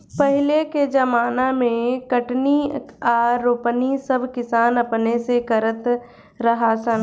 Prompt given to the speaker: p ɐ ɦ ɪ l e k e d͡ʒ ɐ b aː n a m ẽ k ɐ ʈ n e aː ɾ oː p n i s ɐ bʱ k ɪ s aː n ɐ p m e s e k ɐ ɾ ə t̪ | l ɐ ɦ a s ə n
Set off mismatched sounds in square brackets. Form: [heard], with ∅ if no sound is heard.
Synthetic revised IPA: p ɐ ɦ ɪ l e k e d͡ʒ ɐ [m] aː n a m ẽ k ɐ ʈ n [i] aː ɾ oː p n i s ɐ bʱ k ɪ s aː n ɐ p [n] e s e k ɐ ɾ ə t̪ | [ɾ] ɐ ɦ a s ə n